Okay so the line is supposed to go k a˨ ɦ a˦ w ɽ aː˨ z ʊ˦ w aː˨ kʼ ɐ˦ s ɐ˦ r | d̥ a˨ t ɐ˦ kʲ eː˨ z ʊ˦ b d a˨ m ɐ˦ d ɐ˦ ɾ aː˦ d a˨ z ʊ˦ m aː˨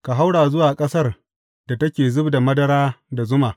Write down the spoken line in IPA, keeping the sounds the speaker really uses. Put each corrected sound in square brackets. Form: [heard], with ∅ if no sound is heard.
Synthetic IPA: k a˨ ɦ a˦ w ɽ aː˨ z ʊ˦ w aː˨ kʼ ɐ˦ s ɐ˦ r | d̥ a˨ t ɐ˦ kʲ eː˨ z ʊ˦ b d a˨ m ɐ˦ d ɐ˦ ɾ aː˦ d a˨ z ʊ˦ m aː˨

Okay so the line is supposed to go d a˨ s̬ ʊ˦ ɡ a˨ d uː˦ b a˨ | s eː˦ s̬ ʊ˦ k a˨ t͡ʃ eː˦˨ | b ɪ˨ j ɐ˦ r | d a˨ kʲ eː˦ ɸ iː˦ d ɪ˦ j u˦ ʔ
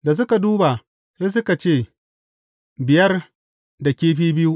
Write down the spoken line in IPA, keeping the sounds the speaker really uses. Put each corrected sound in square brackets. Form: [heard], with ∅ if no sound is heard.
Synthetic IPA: d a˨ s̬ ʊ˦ [k] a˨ d uː˦ b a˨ | s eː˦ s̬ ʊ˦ k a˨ t͡ʃ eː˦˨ | b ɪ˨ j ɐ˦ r | d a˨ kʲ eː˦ ɸ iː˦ [b] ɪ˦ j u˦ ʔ

